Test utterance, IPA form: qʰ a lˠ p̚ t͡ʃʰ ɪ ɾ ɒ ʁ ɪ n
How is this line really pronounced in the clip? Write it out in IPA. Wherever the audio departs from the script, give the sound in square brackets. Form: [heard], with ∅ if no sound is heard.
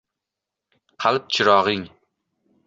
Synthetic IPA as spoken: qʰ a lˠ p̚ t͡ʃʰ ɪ ɾ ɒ ʁ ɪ [ŋ]